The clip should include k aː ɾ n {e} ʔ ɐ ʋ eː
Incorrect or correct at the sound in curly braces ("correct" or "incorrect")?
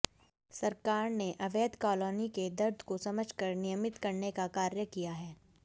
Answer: correct